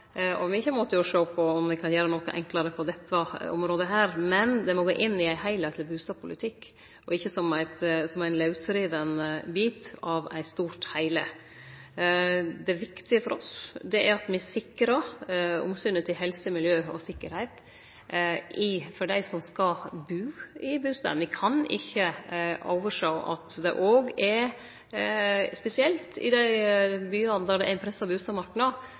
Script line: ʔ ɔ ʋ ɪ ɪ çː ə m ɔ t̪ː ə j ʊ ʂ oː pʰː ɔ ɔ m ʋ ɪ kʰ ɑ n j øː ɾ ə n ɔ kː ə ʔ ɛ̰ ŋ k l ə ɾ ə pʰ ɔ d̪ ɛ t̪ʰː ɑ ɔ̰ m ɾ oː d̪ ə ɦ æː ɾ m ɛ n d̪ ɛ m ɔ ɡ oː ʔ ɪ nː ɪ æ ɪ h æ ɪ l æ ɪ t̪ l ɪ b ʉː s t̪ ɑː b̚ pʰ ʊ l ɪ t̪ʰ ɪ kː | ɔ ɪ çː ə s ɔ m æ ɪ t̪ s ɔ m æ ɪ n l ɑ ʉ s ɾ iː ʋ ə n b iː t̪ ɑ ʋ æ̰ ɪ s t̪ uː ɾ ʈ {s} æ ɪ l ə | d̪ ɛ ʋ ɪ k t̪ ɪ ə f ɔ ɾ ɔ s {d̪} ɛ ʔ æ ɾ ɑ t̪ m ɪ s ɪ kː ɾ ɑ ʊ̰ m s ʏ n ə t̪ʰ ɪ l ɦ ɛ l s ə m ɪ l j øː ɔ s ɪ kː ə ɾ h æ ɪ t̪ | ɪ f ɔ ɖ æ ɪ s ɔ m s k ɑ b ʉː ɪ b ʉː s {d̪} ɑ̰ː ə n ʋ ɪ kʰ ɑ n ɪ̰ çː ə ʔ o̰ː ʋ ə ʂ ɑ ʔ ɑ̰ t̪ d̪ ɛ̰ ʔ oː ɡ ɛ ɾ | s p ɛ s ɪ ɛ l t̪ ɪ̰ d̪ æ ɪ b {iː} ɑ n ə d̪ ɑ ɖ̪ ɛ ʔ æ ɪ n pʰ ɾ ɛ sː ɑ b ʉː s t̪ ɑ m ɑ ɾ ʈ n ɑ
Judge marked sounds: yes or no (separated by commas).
no, yes, no, no